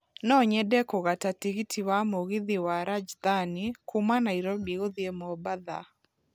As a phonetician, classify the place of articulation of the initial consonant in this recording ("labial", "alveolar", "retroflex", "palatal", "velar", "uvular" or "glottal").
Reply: alveolar